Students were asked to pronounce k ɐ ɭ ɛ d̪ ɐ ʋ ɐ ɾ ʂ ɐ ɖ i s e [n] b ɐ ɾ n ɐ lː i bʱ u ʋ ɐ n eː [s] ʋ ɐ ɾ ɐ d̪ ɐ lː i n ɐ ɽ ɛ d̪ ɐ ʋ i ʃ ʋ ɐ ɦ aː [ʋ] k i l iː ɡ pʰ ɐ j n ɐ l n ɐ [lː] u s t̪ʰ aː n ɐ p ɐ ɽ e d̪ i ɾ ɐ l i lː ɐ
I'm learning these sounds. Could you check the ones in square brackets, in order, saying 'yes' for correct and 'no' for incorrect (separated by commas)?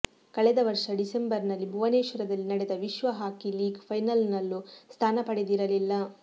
no, no, no, yes